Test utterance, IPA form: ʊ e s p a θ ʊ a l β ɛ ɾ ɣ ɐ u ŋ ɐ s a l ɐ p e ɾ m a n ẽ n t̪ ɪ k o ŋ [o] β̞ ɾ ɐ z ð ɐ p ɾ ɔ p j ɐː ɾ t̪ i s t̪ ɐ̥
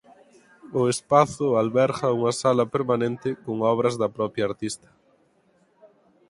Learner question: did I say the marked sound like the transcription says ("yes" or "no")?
no